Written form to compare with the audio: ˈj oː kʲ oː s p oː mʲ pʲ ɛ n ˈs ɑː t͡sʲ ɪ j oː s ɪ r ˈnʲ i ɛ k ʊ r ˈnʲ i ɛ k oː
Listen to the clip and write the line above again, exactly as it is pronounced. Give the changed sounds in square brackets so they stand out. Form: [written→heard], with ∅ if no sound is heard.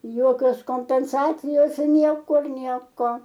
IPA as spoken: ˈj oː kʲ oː s [p→k] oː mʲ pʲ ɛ n ˈs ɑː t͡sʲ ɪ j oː s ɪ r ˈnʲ i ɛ k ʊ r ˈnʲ i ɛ k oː